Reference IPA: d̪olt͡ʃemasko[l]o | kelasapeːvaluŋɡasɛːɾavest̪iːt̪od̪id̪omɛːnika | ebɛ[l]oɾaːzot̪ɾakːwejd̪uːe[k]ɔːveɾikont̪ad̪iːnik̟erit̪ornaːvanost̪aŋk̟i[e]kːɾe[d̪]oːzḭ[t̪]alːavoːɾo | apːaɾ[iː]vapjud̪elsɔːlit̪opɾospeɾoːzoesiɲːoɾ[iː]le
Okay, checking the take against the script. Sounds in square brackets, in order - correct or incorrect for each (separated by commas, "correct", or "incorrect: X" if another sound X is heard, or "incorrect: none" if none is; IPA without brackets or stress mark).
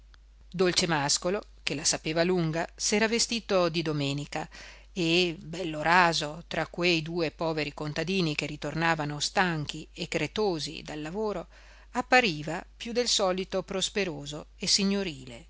correct, incorrect: lː, incorrect: p, correct, incorrect: t̪, incorrect: d̪, correct, correct